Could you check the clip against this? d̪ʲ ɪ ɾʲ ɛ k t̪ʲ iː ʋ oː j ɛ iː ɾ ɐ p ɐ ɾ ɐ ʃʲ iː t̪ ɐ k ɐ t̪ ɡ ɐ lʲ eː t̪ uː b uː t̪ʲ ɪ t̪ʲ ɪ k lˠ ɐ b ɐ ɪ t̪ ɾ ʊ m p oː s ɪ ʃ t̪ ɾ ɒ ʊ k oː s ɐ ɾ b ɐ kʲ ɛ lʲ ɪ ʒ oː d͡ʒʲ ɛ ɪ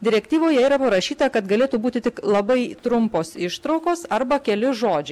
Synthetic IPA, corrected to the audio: d̪ʲ ɪ ɾʲ ɛ k t̪ʲ iː ʋ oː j ɛ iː ɾ ɐ p ɐ ɾ ɐ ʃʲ iː t̪ ɐ k ɐ t̪ ɡ ɐ lʲ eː t̪ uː b uː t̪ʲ ɪ t̪ʲ ɪ k lˠ ɐ b ɐ ɪ t̪ ɾ ʊ m p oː s ɪ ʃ t̪ ɾ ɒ ʊ k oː s ɐ ɾ b ɐ kʲ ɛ lʲ ɪ ʒ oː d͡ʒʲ ɛ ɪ